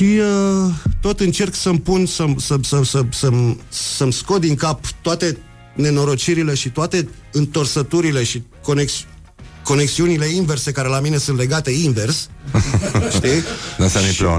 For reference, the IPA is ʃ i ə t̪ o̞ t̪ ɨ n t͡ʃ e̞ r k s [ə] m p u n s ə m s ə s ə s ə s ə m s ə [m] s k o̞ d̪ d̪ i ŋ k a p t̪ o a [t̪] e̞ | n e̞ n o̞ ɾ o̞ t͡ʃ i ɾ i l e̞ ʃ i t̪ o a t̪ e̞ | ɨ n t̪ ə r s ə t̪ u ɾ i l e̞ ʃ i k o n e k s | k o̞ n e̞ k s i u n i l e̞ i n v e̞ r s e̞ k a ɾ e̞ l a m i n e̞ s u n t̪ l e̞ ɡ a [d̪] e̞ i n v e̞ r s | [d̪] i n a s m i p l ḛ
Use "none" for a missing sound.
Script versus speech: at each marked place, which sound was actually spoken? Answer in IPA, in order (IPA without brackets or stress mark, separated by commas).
ə, m, t̪, t̪, t̪